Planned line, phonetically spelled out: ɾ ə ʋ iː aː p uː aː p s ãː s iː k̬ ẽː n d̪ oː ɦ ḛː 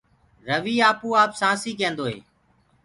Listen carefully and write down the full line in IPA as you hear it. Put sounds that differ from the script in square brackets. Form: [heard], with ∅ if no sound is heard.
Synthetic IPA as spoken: ɾ ə ʋ iː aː p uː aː p s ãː s iː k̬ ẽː n d̪ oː ɦ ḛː

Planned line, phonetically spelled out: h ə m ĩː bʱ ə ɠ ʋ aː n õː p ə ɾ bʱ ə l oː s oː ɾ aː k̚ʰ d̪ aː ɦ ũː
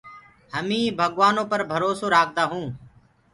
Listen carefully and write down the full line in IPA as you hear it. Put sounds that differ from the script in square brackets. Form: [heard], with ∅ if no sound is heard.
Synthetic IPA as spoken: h ə m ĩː bʱ ə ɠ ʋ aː n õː p ə ɾ bʱ ə [ɾ] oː s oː ɾ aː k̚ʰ d̪ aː ɦ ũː

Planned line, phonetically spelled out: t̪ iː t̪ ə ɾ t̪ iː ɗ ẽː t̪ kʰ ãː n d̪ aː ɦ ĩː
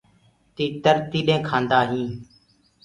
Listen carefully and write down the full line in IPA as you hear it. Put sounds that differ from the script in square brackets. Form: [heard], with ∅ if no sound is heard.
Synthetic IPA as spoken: t̪ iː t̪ ə ɾ t̪ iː ɗ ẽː [∅] kʰ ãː n d̪ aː ɦ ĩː

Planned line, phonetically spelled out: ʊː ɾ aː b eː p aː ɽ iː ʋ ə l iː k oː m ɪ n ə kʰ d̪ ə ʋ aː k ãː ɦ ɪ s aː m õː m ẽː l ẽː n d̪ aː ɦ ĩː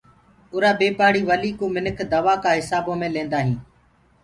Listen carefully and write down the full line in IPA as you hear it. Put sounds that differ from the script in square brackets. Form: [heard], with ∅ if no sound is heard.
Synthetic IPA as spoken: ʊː ɾ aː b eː p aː ɽ iː ʋ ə l iː k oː m ɪ n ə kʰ d̪ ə ʋ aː k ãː ɦ ɪ s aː [b] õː m ẽː l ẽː n d̪ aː ɦ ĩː

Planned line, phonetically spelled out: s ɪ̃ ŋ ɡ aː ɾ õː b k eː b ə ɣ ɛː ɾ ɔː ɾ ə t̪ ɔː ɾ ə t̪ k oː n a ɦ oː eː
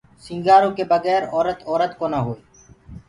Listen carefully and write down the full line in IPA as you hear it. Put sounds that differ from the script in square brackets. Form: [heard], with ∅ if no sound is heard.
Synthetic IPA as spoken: s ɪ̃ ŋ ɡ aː ɾ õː [∅] k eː b ə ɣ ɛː ɾ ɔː ɾ ə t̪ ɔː ɾ ə t̪ k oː n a ɦ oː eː

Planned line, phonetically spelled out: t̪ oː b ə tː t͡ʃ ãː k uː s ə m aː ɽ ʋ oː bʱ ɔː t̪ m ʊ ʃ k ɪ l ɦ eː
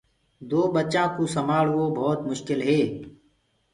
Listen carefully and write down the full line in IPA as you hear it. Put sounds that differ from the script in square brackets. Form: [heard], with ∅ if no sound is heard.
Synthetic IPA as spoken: [d̪] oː b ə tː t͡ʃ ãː k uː s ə m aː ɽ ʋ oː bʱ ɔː t̪ m ʊ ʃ k ɪ l ɦ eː

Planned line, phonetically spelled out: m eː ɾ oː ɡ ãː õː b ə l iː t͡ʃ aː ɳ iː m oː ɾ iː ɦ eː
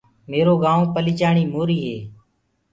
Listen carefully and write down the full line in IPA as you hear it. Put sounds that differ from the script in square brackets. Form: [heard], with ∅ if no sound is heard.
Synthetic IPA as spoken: m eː ɾ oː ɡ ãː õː [p] ə l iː t͡ʃ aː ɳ iː m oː ɾ iː ɦ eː

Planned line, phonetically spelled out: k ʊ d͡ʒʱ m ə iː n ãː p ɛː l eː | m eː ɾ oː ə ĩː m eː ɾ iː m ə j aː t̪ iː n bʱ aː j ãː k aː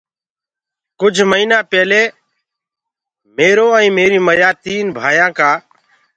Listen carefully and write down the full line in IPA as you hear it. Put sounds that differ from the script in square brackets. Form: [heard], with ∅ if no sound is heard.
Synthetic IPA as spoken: k ʊ d͡ʒʱ m ə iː n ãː p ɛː l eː | m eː ɾ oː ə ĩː m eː ɾ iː m ə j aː t̪ iː n bʱ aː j ãː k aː

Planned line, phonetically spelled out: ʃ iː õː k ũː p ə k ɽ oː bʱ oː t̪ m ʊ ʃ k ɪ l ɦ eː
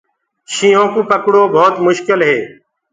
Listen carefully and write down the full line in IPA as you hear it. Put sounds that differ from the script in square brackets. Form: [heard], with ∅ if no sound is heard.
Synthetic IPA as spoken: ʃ iː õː k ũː p ə k ɽ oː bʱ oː t̪ m ʊ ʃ k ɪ l ɦ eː

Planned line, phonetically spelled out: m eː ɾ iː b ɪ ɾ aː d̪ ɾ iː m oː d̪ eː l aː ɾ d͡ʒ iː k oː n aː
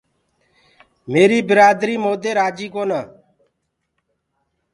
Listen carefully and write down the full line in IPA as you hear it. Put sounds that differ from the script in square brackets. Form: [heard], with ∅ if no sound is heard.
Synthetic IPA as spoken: m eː ɾ iː b ɪ ɾ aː d̪ ɾ iː m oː d̪ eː [ɾ] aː [∅] d͡ʒ iː k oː n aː

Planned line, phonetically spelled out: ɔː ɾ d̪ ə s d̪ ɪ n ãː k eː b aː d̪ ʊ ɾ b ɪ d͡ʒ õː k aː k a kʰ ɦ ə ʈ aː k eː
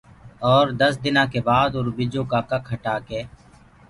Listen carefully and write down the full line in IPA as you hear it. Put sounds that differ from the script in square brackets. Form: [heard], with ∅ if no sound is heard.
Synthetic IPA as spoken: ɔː ɾ d̪ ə s d̪ ɪ n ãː k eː b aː d̪ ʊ ɾ b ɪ d͡ʒ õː k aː k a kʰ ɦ ə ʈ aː k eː

